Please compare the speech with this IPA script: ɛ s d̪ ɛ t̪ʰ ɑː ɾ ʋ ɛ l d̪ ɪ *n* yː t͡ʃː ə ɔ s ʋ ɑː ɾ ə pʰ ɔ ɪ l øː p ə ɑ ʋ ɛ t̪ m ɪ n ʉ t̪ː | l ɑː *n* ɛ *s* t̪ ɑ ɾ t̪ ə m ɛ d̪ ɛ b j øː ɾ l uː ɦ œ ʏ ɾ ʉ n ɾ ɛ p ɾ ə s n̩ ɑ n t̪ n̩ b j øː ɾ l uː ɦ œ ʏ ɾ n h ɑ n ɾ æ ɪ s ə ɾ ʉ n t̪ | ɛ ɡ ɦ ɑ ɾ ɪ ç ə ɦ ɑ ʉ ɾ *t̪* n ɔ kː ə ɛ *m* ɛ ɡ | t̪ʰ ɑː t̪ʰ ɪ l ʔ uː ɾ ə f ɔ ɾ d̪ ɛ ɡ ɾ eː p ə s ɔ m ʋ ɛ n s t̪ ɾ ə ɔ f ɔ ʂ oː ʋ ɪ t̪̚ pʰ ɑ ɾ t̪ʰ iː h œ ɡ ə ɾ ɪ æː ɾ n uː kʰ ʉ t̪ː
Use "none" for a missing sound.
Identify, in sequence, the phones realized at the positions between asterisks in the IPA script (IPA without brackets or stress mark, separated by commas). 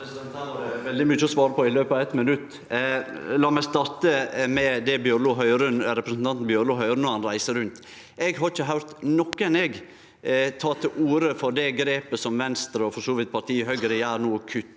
m, m, s, t̪, n